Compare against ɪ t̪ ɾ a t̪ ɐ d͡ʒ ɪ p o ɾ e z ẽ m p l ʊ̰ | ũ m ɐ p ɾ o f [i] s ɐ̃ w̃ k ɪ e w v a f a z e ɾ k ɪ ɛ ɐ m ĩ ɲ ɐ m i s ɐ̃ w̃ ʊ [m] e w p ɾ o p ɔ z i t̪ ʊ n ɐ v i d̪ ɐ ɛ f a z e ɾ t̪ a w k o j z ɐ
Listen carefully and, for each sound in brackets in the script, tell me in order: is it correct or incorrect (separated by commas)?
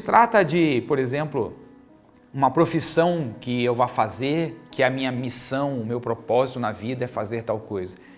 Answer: correct, correct